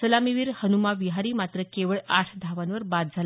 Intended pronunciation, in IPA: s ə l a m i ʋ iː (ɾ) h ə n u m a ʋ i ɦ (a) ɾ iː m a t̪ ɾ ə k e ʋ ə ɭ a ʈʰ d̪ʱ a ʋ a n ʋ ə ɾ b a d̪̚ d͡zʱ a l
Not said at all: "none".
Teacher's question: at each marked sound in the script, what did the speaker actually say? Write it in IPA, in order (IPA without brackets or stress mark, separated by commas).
ɾ, a